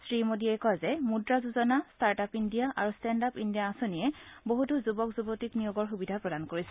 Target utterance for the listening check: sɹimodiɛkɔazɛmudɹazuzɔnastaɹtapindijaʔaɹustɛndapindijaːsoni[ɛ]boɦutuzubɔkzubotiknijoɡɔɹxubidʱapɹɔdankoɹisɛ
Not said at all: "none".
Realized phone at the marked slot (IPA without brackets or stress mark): ɛ